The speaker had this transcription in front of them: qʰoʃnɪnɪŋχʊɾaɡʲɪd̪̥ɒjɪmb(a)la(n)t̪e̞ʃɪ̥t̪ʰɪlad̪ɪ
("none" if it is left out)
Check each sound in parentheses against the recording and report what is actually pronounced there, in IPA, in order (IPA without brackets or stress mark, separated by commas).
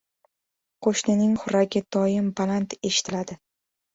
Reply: a, n